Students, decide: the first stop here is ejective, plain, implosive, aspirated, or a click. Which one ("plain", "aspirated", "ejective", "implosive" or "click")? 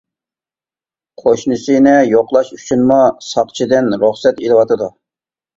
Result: aspirated